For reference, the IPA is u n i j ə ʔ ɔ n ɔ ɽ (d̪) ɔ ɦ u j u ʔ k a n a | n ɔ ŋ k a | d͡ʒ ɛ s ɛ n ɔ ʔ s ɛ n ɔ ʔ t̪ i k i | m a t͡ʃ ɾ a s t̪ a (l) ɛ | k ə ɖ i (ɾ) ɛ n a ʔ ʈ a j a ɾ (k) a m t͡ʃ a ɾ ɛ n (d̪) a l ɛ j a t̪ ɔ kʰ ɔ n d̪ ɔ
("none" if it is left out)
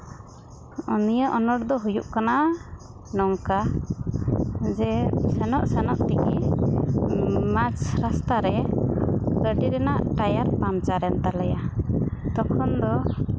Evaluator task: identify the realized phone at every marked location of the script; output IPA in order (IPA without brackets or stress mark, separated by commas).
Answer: d̪, ɾ, ɾ, p, t̪